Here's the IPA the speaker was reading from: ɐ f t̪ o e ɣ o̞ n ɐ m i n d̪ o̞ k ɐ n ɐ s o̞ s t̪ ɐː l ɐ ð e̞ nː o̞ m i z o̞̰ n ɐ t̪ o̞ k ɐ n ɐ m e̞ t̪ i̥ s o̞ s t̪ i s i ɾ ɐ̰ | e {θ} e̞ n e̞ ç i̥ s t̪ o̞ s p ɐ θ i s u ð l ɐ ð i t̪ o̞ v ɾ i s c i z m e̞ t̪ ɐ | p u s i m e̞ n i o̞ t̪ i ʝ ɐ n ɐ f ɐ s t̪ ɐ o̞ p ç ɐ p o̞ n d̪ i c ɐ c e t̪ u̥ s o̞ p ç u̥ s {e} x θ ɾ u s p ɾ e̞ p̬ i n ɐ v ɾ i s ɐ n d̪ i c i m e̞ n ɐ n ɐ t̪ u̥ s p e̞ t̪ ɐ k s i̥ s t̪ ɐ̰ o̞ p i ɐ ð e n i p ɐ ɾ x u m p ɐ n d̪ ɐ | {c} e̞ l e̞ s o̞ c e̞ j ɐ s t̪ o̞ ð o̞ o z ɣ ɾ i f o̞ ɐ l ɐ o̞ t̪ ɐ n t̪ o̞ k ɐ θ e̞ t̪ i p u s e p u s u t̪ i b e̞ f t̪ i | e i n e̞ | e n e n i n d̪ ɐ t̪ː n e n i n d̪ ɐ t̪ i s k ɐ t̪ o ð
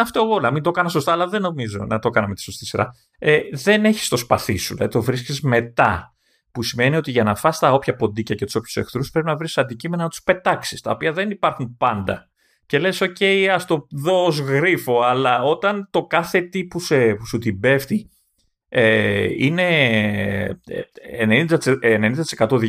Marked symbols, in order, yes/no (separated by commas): no, yes, yes